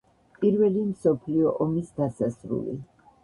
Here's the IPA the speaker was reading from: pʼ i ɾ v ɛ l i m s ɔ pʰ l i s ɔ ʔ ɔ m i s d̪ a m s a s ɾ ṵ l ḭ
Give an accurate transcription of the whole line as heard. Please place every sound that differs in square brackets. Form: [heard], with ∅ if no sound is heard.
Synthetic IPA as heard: pʼ i ɾ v ɛ l i m s ɔ pʰ l i [∅] ɔ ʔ ɔ m i s d̪ a [∅] s a s ɾ ṵ l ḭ